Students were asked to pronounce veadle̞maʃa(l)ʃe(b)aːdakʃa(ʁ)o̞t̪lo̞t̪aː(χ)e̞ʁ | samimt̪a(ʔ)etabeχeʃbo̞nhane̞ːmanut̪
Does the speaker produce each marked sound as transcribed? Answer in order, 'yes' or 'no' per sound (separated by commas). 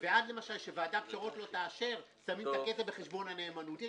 yes, no, yes, no, no